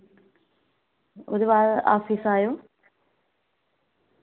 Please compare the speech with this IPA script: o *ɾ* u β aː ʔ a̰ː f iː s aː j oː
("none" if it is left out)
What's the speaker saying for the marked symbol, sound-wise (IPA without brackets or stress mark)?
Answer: ɾ